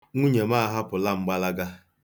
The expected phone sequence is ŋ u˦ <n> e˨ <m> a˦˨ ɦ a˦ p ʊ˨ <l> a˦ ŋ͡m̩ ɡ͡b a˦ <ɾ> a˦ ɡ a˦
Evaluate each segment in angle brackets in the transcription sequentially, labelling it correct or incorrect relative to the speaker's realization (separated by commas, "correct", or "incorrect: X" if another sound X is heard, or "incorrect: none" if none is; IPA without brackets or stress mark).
incorrect: ɲ, correct, correct, incorrect: l